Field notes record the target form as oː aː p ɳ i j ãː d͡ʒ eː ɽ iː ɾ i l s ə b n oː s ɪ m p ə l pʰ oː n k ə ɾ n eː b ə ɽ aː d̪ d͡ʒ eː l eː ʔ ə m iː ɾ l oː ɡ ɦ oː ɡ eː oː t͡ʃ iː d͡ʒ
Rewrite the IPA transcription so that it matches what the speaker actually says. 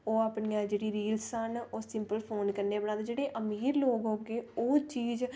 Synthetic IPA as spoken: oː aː p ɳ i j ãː d͡ʒ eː ɽ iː ɾ iː l s ə n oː s ɪ m p ə l pʰ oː n k ə ɾ n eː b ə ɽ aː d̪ d͡ʒ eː ɽ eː ʔ ə m iː ɾ l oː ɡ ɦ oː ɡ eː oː t͡ʃ iː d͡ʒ